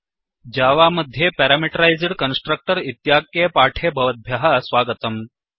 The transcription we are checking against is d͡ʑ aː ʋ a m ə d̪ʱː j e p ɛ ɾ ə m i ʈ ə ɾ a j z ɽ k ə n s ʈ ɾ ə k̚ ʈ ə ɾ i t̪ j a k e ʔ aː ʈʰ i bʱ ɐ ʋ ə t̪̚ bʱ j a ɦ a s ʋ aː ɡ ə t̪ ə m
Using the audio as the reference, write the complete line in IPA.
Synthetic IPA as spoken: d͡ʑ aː ʋ a m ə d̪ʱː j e p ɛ ɾ a m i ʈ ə ɾ a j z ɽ k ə n s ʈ ɾ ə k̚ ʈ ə ɾ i t̪ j a k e p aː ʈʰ e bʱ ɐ ʋ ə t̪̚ bʱ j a ɦ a s ʋ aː ɡ ə t̪ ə m